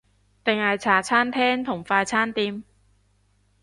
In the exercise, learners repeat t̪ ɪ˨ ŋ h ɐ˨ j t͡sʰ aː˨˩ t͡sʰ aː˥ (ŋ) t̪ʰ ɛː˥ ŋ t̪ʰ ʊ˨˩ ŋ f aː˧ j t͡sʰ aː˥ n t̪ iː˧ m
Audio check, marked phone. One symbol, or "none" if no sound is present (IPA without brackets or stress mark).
n